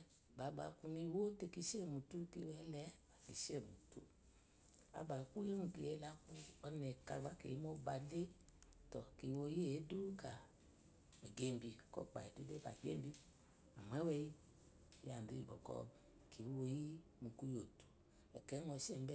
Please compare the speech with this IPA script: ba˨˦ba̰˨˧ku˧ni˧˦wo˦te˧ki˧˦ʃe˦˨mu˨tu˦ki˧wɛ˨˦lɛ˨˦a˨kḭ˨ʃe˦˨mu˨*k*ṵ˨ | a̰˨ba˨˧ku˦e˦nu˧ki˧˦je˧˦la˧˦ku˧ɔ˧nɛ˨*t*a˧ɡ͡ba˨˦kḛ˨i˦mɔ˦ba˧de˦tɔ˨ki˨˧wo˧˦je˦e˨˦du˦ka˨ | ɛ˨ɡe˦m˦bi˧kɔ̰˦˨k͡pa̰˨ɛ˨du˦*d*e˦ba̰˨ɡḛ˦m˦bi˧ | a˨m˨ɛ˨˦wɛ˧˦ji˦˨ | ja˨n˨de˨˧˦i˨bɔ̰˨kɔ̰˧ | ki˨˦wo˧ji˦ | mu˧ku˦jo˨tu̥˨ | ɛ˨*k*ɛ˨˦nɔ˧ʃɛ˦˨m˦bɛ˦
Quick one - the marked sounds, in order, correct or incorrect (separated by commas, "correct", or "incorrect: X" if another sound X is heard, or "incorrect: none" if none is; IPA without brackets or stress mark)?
incorrect: t, incorrect: k, correct, correct